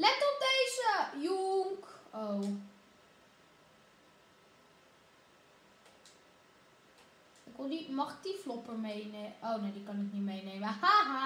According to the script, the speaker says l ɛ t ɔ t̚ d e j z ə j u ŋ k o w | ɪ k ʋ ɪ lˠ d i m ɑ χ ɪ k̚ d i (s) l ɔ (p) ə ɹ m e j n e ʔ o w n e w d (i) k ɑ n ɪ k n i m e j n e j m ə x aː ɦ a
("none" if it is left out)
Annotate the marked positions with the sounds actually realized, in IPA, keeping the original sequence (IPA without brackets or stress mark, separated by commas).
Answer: f, p, i